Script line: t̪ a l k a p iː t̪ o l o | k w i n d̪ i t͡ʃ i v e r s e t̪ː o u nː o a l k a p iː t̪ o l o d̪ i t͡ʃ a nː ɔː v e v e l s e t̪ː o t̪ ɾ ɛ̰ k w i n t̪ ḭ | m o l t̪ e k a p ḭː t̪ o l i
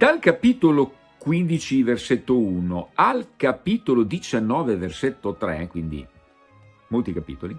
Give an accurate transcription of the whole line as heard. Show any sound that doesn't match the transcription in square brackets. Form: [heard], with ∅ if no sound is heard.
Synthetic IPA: [d̪] a l k a p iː t̪ o l o | k w i n d̪ i t͡ʃ i v e r s e t̪ː o u [n] o a l k a p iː t̪ o l o d̪ i t͡ʃ a nː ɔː v e v e [r] s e t̪ː o t̪ ɾ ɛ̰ k w i n [d̪] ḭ | m o l t̪ [i] k a p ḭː t̪ o l i